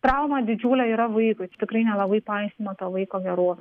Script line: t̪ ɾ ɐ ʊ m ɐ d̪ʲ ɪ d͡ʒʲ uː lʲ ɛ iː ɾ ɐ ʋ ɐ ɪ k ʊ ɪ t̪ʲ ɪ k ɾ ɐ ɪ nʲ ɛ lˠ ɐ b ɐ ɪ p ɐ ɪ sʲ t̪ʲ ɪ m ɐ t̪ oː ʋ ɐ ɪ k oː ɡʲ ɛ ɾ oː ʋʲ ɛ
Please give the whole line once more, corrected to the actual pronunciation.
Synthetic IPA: t̪ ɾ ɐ ʊ m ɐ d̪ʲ ɪ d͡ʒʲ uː lʲ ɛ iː ɾ ɐ ʋ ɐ ɪ k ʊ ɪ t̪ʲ ɪ k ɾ ɐ ɪ nʲ ɛ lˠ ɐ b ɐ ɪ p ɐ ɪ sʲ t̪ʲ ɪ m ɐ t̪ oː ʋ ɐ ɪ k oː ɡʲ ɛ ɾ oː ʋʲ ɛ